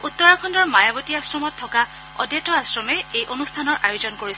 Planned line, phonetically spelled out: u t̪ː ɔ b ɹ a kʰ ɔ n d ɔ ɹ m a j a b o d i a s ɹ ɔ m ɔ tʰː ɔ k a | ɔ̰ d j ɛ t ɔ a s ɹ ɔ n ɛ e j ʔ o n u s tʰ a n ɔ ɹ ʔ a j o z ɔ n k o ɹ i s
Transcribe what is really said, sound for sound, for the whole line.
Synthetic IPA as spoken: u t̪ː ɔ ɹ a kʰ ɔ n d ɔ ɹ m a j a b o t i a s ɹ ɔ m ɔ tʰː ɔ k a | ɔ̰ d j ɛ t ɔ a s ɹ ɔ m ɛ e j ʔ o n u s tʰ a n ɔ ɹ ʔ a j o z ɔ n k o ɹ i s